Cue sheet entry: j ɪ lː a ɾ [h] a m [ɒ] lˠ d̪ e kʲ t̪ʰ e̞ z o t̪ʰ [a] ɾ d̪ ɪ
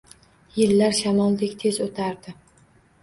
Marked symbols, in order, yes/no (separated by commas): no, yes, yes